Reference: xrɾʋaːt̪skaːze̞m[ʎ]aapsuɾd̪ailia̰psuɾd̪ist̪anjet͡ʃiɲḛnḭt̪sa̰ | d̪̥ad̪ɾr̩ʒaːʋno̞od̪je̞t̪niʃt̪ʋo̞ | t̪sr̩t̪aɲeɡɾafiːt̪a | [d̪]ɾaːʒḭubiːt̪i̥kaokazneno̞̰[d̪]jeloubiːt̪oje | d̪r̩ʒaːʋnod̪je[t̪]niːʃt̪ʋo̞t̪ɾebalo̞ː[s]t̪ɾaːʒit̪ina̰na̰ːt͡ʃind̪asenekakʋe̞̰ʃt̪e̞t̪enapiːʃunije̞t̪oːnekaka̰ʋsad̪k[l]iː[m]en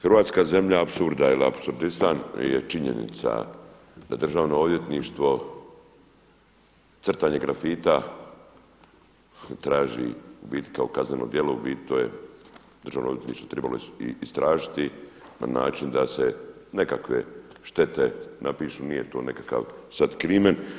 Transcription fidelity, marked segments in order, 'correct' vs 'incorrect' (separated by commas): correct, incorrect, correct, correct, correct, incorrect, correct